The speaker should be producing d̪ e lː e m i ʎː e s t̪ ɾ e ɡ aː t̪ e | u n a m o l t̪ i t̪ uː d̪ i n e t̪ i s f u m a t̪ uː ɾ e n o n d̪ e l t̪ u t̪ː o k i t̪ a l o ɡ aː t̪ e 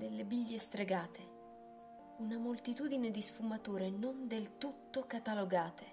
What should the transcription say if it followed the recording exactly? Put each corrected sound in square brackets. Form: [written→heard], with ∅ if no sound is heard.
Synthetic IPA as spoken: d̪ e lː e [m→b] i ʎː e s t̪ ɾ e ɡ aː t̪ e | u n a m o l t̪ i t̪ uː d̪ i n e [t̪→d̪] i s f u m a t̪ uː ɾ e n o n d̪ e l t̪ u t̪ː o k [i→a] t̪ a l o ɡ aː t̪ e